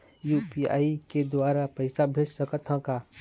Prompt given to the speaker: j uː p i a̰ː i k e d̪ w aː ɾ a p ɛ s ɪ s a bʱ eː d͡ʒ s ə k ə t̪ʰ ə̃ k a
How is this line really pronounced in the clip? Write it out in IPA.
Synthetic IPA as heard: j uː p i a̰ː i k e d̪ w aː ɾ a p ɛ ɪ s a bʱ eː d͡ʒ s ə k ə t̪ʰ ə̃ k a